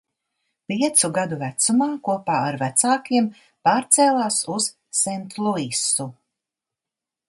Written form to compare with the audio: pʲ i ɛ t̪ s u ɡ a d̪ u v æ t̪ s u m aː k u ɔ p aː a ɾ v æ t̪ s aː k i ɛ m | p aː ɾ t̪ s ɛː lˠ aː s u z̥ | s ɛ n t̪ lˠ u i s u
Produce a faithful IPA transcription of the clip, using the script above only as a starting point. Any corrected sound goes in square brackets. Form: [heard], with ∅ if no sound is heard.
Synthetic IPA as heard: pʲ i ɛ t̪ s u ɡ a d̪ u v æ t̪ s u m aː k u ɔ p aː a ɾ v æ t̪ s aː k i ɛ m | p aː ɾ t̪ s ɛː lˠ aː s u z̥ | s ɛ n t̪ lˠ u i s u